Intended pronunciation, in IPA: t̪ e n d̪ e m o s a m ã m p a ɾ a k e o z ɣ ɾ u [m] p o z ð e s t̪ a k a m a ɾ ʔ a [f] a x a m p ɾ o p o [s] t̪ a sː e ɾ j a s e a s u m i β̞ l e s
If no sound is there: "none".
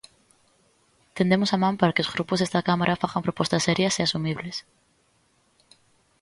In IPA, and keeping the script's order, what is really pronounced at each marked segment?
none, f, s

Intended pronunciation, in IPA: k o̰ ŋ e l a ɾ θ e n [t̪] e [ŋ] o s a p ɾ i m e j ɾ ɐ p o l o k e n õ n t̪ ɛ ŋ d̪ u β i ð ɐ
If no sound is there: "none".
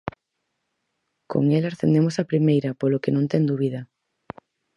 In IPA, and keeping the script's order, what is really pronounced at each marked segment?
d̪, m

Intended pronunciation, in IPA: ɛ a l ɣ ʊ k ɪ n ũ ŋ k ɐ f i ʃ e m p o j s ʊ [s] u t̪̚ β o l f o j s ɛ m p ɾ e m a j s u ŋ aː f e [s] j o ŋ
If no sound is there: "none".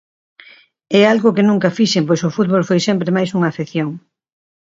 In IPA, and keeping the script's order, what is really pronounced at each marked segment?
f, θ

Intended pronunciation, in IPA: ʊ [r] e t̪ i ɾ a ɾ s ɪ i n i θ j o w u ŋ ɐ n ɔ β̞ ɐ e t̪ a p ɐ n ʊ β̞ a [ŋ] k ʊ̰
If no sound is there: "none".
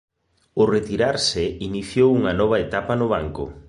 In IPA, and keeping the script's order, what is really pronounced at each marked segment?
r, ŋ

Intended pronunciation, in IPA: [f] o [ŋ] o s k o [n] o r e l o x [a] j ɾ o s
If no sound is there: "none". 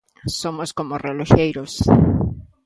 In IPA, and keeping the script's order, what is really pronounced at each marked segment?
s, m, m, e

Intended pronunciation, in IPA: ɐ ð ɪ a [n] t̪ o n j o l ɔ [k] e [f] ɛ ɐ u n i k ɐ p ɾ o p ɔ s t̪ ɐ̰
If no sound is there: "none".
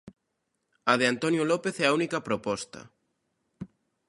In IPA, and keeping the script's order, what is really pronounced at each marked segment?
n, p, θ

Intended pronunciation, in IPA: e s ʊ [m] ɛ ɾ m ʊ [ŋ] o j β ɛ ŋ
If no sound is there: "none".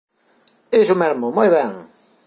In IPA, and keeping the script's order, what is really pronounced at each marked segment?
m, m

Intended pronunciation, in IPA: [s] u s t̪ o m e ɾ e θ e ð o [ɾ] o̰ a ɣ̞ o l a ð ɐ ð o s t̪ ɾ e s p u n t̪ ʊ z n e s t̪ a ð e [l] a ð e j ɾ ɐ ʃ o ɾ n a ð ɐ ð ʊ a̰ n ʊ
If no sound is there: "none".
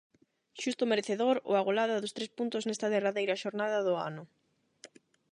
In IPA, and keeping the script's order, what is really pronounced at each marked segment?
ʃ, ɾ, r

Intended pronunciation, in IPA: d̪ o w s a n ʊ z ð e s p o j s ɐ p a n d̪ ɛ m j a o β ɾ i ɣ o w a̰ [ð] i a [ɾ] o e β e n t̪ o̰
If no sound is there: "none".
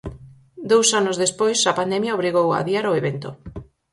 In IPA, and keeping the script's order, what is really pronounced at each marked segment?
ð, ɾ

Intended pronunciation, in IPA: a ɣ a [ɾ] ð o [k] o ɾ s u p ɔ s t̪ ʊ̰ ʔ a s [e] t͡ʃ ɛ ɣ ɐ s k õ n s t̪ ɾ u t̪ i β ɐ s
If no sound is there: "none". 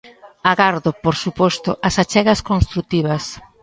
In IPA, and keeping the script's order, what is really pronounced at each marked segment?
ɾ, p, a

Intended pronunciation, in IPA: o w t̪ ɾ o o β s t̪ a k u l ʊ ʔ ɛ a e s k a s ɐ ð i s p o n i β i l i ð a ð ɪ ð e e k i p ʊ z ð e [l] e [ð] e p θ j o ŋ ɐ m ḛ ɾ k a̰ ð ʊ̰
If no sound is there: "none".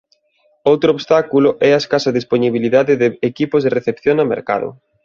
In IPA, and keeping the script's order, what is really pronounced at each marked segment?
r, θ

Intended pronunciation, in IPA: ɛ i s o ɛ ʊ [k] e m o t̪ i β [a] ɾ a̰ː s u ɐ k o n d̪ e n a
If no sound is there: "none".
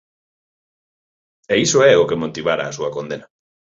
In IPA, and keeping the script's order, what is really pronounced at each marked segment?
k, a

